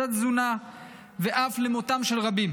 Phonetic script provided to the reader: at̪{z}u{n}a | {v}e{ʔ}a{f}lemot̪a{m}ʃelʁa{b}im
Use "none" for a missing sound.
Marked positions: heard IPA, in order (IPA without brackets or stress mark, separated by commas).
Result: z, n, v, ʔ, f, m, b